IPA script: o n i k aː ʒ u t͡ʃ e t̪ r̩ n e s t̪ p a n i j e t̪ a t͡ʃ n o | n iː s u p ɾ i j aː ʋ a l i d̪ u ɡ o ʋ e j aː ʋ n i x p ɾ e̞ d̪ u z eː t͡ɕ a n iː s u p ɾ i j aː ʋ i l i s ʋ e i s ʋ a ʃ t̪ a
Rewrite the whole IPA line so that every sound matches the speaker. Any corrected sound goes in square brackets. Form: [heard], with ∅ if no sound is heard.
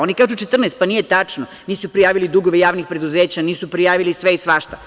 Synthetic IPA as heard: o n i k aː ʒ u t͡ʃ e t̪ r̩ n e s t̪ p a n i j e t̪ a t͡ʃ n o | n iː s u p ɾ i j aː ʋ [i] l i d̪ u ɡ o ʋ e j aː ʋ n i x p ɾ e̞ d̪ u z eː t͡ɕ a n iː s u p ɾ i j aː ʋ i l i s ʋ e i s ʋ a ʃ t̪ a